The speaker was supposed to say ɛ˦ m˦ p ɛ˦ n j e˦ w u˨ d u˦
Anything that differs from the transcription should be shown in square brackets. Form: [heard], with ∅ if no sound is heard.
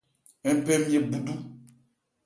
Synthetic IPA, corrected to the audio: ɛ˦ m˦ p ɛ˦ [m] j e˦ [b] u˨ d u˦